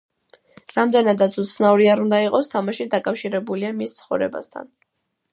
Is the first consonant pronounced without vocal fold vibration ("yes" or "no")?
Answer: no